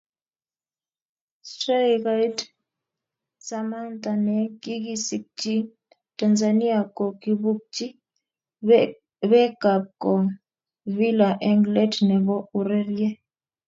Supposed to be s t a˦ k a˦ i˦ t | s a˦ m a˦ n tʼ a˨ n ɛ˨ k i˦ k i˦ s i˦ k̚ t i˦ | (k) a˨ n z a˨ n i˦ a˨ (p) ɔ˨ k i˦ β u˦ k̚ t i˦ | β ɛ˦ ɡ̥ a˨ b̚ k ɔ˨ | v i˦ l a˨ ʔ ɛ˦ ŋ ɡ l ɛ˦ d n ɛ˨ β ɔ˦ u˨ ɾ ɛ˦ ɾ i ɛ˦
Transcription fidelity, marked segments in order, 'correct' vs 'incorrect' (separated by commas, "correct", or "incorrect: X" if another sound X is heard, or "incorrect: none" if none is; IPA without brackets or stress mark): incorrect: t, incorrect: k